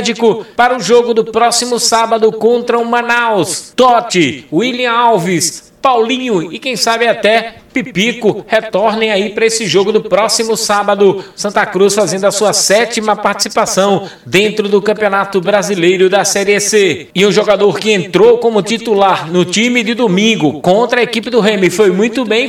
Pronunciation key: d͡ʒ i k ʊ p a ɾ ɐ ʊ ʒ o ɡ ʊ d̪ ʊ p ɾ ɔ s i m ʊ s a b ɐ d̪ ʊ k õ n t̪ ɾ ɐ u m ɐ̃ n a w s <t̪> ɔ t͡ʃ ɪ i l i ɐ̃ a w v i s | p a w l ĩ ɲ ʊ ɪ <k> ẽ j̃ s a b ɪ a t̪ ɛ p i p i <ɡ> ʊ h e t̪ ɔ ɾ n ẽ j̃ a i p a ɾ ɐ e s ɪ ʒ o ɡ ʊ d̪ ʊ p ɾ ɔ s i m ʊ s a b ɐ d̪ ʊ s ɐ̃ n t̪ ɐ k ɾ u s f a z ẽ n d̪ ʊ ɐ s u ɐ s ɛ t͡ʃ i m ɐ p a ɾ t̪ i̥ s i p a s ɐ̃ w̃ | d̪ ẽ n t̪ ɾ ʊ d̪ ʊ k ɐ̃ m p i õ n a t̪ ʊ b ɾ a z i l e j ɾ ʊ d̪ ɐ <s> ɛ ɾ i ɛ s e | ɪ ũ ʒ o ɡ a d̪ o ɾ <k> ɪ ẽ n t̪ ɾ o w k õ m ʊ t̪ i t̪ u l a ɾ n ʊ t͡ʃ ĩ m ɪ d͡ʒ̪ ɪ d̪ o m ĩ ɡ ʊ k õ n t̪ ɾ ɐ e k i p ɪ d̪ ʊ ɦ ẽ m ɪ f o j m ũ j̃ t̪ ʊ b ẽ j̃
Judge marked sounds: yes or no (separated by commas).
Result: yes, yes, no, yes, yes